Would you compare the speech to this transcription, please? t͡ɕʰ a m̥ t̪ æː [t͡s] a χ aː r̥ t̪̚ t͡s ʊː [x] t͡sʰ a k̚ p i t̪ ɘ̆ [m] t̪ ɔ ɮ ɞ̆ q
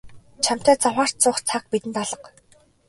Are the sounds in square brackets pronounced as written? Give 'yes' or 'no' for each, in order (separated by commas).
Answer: yes, no, no